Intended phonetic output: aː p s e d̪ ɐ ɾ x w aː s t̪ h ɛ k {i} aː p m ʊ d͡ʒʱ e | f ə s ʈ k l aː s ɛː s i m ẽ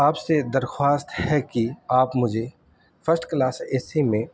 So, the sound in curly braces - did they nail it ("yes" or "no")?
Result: yes